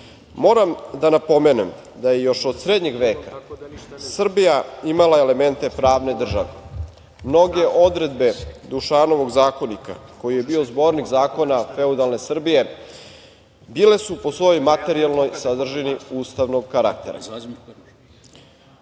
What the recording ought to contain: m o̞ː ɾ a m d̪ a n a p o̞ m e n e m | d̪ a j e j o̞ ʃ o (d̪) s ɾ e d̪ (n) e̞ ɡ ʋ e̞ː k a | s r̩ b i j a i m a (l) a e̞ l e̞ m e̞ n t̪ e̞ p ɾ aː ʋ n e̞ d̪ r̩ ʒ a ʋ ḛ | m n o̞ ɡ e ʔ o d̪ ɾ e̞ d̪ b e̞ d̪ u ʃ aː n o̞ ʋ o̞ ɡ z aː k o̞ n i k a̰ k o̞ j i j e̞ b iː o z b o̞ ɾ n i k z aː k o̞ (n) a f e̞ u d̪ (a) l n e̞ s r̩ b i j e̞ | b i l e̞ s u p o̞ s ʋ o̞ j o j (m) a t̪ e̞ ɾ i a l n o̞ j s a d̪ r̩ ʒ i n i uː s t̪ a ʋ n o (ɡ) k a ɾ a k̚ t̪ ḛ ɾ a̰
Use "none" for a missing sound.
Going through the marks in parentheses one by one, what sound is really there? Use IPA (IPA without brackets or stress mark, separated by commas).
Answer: d̪, ɲ, l, n, a, m, ɡ